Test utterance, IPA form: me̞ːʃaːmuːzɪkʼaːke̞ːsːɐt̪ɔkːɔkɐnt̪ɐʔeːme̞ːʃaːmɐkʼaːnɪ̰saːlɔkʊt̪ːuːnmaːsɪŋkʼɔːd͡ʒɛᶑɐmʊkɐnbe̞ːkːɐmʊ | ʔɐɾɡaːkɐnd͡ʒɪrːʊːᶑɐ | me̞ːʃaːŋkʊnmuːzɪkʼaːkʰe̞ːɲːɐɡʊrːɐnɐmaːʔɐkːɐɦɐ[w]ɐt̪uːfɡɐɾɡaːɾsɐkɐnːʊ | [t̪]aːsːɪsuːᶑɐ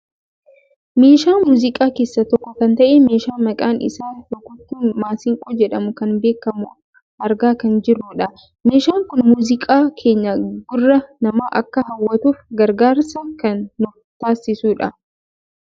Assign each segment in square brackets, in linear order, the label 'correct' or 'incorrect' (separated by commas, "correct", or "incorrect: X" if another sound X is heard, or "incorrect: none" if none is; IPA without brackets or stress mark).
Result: incorrect: wː, correct